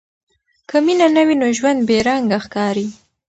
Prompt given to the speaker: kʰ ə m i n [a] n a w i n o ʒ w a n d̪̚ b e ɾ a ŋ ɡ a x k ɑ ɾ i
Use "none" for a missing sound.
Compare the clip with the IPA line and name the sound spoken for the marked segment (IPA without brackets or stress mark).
a